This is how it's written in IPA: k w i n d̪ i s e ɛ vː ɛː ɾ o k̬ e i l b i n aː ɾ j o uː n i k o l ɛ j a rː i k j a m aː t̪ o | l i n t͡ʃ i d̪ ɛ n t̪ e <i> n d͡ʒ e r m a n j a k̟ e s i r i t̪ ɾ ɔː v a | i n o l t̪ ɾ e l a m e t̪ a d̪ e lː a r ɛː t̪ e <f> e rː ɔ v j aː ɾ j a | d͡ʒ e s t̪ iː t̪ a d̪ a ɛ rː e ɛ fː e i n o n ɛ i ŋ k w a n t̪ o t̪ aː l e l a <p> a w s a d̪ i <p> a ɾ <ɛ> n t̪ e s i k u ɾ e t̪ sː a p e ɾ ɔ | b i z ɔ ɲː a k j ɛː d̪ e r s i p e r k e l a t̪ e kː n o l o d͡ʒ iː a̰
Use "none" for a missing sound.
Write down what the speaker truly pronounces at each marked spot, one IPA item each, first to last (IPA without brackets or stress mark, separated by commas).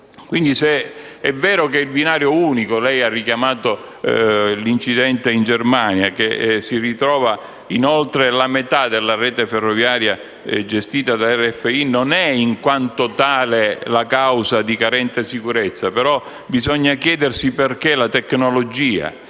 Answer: i, f, k, k, ɛ